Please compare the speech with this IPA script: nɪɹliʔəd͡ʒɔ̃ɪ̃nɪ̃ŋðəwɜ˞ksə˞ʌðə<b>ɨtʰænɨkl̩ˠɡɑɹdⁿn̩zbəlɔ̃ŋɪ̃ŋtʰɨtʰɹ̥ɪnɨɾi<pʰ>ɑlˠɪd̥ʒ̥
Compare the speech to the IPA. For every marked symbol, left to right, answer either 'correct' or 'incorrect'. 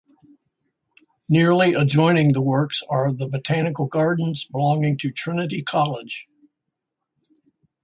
correct, incorrect

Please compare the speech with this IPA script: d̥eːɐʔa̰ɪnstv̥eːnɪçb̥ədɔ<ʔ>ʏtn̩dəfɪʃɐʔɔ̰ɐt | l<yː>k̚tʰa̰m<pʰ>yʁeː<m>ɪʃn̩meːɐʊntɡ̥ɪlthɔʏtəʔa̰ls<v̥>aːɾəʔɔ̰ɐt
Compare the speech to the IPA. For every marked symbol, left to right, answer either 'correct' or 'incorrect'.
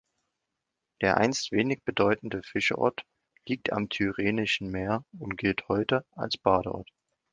incorrect, incorrect, incorrect, incorrect, incorrect

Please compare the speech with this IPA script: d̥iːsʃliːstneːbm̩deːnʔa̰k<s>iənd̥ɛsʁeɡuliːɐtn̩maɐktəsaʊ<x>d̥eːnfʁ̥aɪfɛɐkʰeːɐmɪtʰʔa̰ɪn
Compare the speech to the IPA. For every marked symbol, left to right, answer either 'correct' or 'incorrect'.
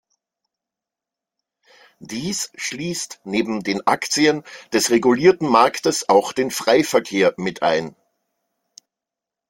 incorrect, correct

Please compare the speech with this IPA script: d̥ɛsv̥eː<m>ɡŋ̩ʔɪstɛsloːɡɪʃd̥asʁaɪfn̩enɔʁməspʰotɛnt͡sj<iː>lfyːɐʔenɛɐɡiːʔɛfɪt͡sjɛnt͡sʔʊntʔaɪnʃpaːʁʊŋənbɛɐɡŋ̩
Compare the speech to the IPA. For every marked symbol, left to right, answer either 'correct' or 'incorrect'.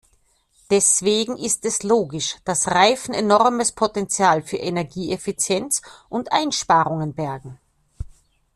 incorrect, incorrect

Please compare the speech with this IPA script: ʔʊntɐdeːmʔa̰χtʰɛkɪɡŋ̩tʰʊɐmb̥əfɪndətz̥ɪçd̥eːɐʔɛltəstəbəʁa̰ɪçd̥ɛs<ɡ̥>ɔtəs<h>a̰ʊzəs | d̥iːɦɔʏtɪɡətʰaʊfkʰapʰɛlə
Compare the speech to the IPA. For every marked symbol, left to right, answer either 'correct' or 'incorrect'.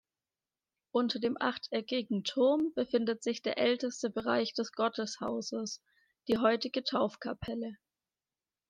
correct, correct

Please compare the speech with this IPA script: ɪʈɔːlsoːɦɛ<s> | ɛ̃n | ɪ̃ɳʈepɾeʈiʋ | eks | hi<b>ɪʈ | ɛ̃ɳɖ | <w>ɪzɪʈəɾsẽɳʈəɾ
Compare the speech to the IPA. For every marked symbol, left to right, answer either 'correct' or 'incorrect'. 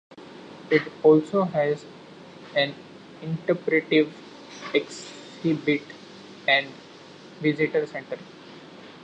incorrect, correct, incorrect

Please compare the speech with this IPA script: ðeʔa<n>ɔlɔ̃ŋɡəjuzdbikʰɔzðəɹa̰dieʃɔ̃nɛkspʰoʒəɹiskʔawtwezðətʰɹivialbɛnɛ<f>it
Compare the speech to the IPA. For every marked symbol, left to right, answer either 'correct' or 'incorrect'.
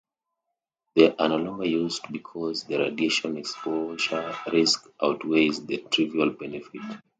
correct, correct

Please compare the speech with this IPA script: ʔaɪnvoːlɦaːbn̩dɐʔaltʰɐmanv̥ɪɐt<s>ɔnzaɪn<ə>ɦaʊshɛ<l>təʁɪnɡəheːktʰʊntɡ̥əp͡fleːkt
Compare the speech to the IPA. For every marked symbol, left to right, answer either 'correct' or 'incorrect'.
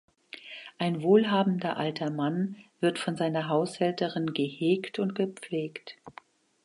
incorrect, incorrect, correct

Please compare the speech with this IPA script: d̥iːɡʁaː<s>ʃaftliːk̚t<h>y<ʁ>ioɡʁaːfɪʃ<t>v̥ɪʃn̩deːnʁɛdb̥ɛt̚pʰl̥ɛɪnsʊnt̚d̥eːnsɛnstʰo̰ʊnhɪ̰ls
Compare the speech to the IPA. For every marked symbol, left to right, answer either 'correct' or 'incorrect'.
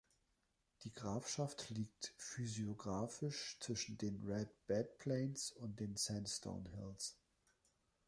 incorrect, incorrect, incorrect, incorrect

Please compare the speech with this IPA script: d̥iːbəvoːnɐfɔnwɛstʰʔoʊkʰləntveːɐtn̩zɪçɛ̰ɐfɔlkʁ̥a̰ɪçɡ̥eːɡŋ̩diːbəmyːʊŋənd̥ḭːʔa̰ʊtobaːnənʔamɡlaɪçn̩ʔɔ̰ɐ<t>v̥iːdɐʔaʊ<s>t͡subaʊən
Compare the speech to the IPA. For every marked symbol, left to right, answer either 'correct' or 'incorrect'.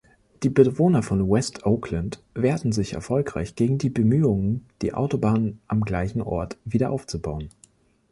correct, incorrect

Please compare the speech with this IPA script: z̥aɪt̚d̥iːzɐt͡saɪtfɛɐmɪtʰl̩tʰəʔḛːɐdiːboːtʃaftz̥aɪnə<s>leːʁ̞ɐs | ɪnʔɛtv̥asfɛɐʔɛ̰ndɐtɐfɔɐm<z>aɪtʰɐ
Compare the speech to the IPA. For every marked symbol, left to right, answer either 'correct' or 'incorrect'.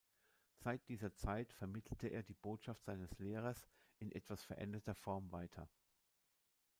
correct, incorrect

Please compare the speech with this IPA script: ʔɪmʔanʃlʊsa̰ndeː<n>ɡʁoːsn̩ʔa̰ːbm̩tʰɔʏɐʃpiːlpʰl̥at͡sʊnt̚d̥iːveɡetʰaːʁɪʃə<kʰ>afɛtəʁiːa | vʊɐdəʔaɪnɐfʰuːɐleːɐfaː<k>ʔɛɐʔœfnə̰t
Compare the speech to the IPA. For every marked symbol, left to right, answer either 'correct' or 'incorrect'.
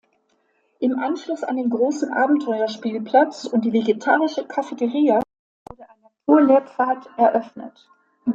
correct, correct, incorrect

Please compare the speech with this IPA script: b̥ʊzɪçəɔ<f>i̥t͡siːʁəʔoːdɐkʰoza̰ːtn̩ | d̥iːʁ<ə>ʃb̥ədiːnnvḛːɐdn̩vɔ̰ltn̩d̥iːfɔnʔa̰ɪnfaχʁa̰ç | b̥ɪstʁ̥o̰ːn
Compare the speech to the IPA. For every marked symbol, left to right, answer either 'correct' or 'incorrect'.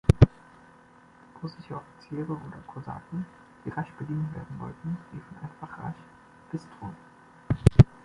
correct, incorrect

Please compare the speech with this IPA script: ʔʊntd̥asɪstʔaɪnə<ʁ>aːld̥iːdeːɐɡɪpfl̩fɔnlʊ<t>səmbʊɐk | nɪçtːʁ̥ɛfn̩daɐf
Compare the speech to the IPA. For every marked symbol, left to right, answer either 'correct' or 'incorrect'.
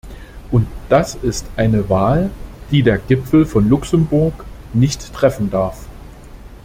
incorrect, incorrect

